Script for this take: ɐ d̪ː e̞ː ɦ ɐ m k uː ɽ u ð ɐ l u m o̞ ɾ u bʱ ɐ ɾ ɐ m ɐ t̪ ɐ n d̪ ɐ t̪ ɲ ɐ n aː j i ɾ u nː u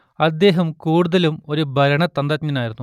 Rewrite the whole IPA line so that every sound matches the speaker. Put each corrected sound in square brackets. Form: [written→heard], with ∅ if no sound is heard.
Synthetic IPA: ɐ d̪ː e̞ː ɦ ɐ m k uː ɽ u ð ɐ l u m o̞ ɾ u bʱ ɐ ɾ ɐ [m→ɳ] ɐ t̪ ɐ n d̪ ɐ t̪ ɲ ɐ n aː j i ɾ u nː u